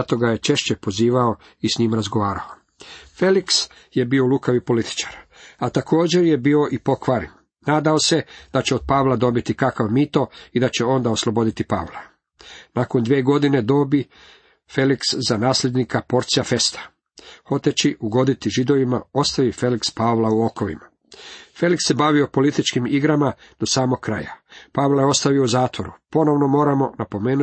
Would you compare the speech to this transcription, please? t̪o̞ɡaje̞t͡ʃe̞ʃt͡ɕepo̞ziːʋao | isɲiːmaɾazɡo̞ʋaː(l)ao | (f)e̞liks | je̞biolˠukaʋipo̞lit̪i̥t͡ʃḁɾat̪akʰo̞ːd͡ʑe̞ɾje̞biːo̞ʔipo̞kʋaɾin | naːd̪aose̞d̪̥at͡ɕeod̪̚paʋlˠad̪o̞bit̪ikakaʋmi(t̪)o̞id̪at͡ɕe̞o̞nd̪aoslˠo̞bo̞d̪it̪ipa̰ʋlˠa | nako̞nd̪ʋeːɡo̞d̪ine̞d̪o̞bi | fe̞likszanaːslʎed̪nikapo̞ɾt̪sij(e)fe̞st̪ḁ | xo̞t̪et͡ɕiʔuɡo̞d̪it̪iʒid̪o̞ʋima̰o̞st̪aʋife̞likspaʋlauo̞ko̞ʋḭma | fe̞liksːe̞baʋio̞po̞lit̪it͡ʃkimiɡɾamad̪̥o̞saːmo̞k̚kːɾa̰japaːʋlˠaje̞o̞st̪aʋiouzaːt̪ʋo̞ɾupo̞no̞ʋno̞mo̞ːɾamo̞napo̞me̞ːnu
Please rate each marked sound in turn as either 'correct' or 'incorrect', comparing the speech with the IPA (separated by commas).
incorrect, correct, correct, incorrect